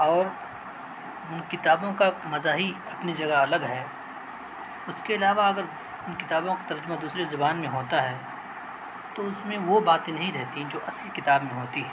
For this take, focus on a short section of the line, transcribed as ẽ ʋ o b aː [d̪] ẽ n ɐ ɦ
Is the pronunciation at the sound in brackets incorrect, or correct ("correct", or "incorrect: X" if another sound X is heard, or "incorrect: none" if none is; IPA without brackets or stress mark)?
incorrect: t̪